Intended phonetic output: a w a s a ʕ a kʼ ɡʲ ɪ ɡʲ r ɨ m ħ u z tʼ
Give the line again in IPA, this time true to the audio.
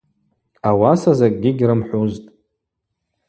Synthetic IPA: a w a s a z a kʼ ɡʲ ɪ ɡʲ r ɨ m ħ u z tʼ

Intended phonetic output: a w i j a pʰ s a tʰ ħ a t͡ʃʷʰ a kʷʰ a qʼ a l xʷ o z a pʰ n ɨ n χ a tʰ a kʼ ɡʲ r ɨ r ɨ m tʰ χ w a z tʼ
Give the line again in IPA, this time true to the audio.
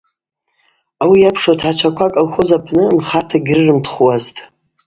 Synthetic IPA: a w i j a pʰ ʂ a tʰ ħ a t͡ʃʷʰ a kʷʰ a kʼ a l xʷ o z a pʰ n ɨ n χ a tʰ a ɡʲ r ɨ r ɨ m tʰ χ w a z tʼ

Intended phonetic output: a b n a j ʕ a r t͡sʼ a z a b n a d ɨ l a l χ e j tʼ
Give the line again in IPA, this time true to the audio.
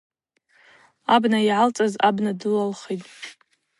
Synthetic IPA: a b n a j ʕ a l t͡sʼ a z a b n a d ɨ l a l χ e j tʼ

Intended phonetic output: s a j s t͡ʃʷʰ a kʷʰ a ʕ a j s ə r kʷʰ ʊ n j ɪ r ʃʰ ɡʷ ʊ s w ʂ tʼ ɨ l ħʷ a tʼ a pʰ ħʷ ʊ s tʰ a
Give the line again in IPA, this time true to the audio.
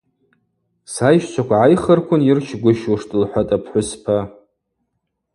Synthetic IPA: s a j ʃ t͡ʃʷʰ a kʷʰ a ʕ a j χ ə r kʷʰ ʊ n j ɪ r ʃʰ ɡʷ ʊ ʃ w ʂ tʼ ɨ l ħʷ a tʼ a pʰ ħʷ ʊ s pʰ a

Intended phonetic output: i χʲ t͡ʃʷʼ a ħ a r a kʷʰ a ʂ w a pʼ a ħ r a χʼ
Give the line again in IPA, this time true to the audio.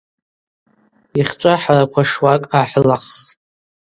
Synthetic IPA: i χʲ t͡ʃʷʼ a ħ a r a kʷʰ a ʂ w a kʼ a ħ l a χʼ

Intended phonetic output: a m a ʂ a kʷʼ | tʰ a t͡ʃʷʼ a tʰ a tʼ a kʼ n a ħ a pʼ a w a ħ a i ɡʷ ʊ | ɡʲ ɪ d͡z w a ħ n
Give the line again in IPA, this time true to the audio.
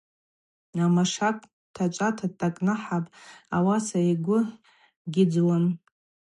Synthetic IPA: a m a ʂ a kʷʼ | tʰ a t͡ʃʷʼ a tʰ a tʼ a kʼ n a ħ a pʼ a w a s a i ɡʷ ʊ | ɡʲ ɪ d͡z w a n

